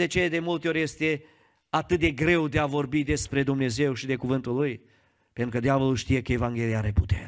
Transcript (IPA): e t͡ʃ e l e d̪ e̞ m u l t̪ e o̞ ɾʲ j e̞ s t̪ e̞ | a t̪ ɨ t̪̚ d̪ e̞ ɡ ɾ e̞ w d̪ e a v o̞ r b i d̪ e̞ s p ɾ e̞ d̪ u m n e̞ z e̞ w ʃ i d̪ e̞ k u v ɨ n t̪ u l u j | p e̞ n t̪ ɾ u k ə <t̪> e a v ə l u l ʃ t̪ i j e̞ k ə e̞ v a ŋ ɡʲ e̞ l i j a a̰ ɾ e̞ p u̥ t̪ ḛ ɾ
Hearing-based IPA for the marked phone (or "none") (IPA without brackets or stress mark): d̪